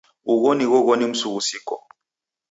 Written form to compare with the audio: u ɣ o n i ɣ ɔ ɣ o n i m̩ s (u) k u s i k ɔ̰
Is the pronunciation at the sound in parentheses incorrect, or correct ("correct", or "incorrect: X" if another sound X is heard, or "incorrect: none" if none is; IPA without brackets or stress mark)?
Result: correct